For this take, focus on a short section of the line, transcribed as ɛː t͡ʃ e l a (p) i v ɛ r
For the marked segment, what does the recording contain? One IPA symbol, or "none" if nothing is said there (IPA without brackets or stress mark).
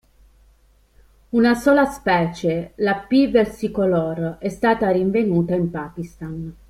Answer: p